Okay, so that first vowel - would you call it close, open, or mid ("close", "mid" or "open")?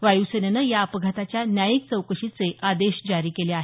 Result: open